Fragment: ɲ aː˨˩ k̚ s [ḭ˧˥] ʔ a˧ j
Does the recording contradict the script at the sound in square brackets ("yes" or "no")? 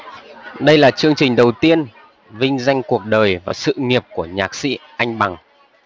no